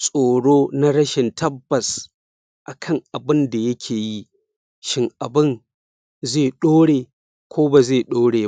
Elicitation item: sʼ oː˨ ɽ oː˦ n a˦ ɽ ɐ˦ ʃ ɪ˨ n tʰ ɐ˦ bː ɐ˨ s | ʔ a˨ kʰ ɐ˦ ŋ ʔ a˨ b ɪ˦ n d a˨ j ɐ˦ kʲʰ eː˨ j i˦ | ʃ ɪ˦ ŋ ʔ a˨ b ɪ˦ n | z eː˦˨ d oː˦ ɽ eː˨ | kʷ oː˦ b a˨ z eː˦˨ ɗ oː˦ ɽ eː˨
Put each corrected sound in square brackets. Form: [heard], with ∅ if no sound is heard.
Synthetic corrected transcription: sʼ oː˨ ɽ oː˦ n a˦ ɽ ɐ˦ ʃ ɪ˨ n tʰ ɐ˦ bː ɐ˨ s | ʔ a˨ kʰ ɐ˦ ŋ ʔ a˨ b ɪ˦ n d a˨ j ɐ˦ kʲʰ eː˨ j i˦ | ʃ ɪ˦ ŋ ʔ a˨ b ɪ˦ n | z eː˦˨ [ɗ] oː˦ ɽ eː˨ | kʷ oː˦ b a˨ z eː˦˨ ɗ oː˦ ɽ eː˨